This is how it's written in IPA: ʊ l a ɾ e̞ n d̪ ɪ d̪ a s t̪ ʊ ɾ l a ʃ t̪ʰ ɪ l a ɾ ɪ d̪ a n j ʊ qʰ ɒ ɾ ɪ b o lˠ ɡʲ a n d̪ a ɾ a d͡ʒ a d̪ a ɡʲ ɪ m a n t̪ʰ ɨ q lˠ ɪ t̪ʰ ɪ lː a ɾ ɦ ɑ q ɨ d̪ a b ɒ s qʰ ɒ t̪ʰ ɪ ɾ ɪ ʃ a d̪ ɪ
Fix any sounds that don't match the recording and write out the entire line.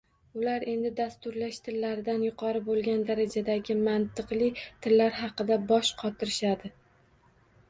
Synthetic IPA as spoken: ʊ l a ɾ e̞ n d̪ ɪ d̪ a s t̪ ʊ ɾ l a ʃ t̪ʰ ɪ lː a ɾ ɪ d̪ a n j ʊ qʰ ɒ ɾ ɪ b o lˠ ɡʲ a n d̪ a ɾ a d͡ʒ a d̪ a ɡʲ ɪ m a n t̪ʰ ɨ q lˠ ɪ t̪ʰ ɪ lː a ɾ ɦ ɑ q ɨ d̪ a b ɒ ʃ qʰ ɒ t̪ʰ ɪ ɾ ɪ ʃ a d̪ ɪ

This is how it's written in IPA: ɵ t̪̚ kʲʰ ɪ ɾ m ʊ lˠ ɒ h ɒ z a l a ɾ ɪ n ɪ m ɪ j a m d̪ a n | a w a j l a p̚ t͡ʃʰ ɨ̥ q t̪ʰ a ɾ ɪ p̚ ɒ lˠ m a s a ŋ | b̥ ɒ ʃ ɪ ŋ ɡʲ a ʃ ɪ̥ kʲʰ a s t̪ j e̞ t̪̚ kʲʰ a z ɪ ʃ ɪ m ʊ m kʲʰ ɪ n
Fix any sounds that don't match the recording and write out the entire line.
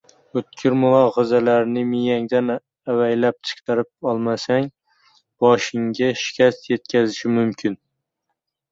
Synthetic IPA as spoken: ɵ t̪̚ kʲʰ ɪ ɾ m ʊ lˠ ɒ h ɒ z a l a ɾ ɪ n ɪ m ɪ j a ŋ d̪ a n | a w a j l a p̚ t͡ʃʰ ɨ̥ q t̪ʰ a ɾ ɪ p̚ ɒ lˠ m a s a ŋ | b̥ ɒ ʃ ɪ ŋ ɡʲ a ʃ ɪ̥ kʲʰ a s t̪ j e̞ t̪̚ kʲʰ a z ɪ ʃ ɪ m ʊ m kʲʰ ɪ n

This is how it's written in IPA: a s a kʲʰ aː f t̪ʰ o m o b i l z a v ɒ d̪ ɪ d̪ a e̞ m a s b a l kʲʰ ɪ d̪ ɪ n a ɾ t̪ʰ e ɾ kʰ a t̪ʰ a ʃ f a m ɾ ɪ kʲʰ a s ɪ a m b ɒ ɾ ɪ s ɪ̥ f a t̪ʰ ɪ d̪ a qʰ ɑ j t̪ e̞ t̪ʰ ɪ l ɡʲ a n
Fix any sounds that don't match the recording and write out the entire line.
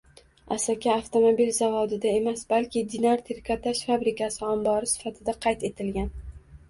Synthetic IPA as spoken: a s a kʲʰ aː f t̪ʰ o m o b i l z a v ɒ d̪ ɪ d̪ a e̞ m a s b a l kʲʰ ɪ d̪ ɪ n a ɾ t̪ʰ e ɾ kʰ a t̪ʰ a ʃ f a b ɾ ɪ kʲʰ a s ɪ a m b ɒ ɾ ɪ s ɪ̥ f a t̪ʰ ɪ d̪ a qʰ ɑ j t̪ e̞ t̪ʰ ɪ l ɡʲ a n

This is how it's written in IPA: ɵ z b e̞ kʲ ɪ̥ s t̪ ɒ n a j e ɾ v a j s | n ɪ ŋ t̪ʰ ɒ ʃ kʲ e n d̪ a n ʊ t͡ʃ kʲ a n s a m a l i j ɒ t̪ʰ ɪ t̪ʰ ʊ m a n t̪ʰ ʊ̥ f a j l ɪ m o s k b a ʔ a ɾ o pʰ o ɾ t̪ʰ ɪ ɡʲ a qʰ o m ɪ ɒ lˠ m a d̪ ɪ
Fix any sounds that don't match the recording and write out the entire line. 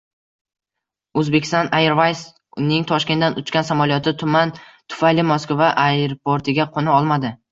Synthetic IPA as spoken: ɵ z b e̞ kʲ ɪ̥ s t̪ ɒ n a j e ɾ v a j s | n ɪ ŋ t̪ʰ ɒ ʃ kʲ e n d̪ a n ʊ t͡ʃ kʲ a n s a m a l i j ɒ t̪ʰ ɪ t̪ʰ ʊ m a n t̪ʰ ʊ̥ f a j l ɪ m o s k v a ʔ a ɾ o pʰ o ɾ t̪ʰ ɪ ɡʲ a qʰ o n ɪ ɒ lˠ m a d̪ ɪ

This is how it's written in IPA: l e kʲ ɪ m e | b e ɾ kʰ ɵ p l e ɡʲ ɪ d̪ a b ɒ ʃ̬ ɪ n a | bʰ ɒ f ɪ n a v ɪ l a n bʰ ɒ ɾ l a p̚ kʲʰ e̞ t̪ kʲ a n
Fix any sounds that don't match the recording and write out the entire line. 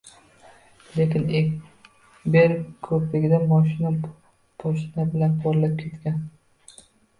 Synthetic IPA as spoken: l e kʲ ɪ n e | b e ɾ kʰ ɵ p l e ɡʲ ɪ d̪ a m ɒ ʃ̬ ɪ n a | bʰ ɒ ʃ ɪ n a b ɪ l a n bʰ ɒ ɾ l a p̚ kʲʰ e̞ t̪ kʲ a n

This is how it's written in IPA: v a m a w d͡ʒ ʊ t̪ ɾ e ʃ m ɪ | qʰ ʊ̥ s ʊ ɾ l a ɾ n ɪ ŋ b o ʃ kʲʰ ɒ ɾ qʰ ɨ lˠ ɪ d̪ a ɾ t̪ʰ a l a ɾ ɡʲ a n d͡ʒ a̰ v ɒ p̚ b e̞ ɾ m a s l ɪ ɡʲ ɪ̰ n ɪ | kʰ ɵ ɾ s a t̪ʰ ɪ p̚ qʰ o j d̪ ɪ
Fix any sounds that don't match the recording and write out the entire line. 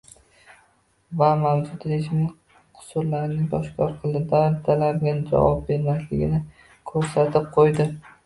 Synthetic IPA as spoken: v a m a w d͡ʒ ʊ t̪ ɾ e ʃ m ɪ | qʰ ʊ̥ s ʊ ɾ l a ɾ n ɪ ŋ b ɒ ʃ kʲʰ ɒ ɾ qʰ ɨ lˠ ɪ d̪ a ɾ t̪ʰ a l a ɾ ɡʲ a n d͡ʒ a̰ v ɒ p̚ b e̞ ɾ m a s l ɪ ɡʲ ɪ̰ n ɪ | kʰ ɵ ɾ s a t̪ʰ ɪ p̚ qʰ o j d̪ ɪ

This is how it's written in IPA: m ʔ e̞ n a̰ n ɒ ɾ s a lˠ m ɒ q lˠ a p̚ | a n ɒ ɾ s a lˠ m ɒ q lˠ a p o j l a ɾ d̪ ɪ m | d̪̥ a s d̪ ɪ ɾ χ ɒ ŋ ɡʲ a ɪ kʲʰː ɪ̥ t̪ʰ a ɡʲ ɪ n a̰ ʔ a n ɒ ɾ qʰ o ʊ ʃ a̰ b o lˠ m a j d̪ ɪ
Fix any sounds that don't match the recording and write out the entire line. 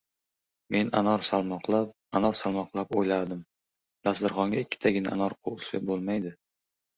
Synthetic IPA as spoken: m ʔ e̞ n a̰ n ɒ ɾ s a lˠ m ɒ q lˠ a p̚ | a n ɒ ɾ s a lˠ m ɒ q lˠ a p o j l a ɾ d̪ ɪ m | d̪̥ a s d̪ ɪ ɾ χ ɒ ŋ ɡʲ a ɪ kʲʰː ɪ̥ t̪ʰ a ɡʲ ɪ n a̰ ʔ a n ɒ ɾ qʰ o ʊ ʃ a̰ b o lˠ m a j d̪ ɪ

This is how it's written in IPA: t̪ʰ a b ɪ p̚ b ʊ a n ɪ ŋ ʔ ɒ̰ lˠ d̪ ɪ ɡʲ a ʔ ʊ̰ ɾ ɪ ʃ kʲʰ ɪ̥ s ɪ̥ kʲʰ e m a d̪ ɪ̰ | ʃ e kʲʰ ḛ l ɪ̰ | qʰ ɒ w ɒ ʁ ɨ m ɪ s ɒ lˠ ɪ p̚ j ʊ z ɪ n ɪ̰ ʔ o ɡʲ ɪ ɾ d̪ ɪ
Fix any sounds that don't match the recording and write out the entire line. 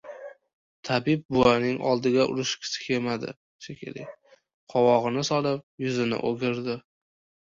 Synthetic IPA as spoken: t̪ʰ a b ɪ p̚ b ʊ a n ɪ ŋ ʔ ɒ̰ lˠ d̪ ɪ ɡʲ a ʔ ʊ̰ ɾ ɪ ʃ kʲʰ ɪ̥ s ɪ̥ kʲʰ e m a d̪ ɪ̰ | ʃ e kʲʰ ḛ l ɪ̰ | qʰ ɒ w ɒ ʁ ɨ n ɪ s ɒ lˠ ɪ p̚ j ʊ z ɪ n ɪ̰ ʔ o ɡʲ ɪ ɾ d̪ ɪ

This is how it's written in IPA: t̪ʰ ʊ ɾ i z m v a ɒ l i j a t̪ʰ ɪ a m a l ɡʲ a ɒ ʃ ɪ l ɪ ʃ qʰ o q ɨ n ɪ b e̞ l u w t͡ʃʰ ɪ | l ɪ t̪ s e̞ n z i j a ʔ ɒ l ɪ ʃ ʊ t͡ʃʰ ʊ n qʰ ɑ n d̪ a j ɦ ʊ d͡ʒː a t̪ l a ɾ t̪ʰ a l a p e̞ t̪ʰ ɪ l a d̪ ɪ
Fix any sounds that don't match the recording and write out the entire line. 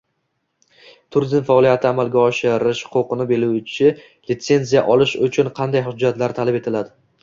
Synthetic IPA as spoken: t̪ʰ ʊ ɾ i z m f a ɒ l i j a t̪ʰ ɪ a m a l ɡʲ a ɒ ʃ ɪ ɾ ɪ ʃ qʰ o q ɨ n ɪ b e̞ l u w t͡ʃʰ ɪ | l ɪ t̪ s e̞ n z i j a ʔ ɒ l ɪ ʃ ʊ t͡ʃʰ ʊ n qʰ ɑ n d̪ a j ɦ ʊ d͡ʒː a t̪ l a ɾ t̪ʰ a l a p e̞ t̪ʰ ɪ l a d̪ ɪ

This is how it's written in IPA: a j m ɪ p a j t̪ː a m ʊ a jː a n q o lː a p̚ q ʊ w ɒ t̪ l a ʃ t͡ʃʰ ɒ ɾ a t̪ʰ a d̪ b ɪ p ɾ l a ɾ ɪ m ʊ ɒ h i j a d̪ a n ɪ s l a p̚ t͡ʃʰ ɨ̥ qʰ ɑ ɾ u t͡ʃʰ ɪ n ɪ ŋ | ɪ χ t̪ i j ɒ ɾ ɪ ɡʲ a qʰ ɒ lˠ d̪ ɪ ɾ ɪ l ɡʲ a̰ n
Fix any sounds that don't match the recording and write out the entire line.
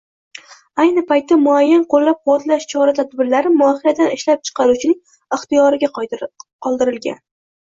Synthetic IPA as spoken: a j n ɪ p a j t̪ː a m ʊ a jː a n q o lː a p̚ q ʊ w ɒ t̪ l a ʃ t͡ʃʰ ɒ ɾ a t̪ʰ a d̪ b ɪ ɾ l a ɾ ɪ m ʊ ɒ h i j a d̪ a n ɪ ʃ l a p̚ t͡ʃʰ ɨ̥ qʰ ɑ ɾ u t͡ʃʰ ɪ n ɪ ŋ | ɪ χ t̪ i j ɒ ɾ ɪ ɡʲ a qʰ ɒ lˠ d̪ ɪ ɾ ɪ l ɡʲ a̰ n

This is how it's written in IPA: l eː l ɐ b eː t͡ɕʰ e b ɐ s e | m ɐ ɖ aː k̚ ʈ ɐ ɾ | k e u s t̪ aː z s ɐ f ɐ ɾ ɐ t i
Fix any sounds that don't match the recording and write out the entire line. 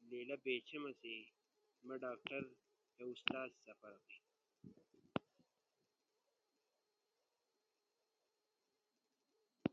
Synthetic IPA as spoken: l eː l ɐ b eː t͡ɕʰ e m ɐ s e | m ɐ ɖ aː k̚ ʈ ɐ ɾ | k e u s t̪ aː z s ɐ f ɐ ɾ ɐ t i

